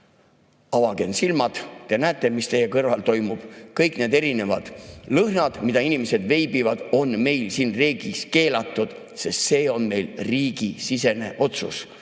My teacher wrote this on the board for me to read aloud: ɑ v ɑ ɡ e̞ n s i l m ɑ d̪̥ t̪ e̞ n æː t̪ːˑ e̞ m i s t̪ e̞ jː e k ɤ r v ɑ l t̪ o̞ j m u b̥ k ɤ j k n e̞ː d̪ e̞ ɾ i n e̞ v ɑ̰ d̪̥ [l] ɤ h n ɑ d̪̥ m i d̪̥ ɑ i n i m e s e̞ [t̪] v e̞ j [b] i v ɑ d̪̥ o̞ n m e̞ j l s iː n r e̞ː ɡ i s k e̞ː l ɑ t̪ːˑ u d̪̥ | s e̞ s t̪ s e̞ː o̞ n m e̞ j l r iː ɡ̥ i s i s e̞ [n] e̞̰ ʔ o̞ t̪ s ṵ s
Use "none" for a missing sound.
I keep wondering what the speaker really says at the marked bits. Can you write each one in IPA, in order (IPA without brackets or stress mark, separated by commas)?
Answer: l, d̪, b, n